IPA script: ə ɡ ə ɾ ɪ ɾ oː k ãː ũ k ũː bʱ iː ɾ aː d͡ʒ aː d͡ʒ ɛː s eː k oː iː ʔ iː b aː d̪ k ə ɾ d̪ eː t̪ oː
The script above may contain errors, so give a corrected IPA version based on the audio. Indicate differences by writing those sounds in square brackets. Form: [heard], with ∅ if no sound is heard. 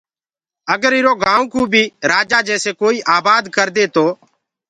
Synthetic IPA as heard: ə ɡ ə ɾ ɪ ɾ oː [ɡ] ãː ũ k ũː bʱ iː ɾ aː d͡ʒ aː d͡ʒ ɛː s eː k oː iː ʔ [aː] b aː d̪ k ə ɾ d̪ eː t̪ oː